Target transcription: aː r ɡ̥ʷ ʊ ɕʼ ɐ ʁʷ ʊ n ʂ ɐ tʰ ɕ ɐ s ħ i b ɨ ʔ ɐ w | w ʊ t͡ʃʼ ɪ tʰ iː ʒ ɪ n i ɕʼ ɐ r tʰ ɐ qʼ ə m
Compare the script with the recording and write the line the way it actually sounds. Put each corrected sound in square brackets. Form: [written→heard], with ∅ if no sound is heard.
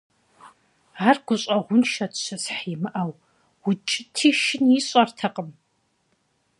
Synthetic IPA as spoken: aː r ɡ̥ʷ ʊ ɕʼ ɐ ʁʷ ʊ n [ʂ→ʃ] ɐ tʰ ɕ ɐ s ħ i [b→m] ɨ ʔ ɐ w | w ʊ t͡ʃʼ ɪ tʰ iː [ʒ→ʃ] ɪ n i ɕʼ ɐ r tʰ ɐ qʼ ə m